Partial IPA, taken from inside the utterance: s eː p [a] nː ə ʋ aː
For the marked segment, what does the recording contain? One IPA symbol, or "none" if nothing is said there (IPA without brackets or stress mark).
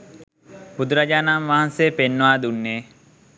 e